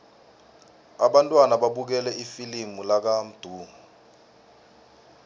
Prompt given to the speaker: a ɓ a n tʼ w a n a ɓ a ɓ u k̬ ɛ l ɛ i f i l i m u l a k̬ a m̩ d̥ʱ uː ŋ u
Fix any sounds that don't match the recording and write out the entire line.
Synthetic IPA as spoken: a ɓ a n tʼ w a n a ɓ a ɓ u k̬ ɛ l ɛ i f i l i m u l a k̬ a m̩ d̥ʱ uː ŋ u